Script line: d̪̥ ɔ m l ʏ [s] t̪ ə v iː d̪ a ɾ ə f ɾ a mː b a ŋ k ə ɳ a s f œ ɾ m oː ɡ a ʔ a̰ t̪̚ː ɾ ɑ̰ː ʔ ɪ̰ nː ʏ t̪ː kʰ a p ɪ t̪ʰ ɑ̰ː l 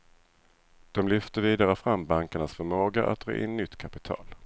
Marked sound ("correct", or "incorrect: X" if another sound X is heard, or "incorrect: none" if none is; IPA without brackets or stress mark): incorrect: f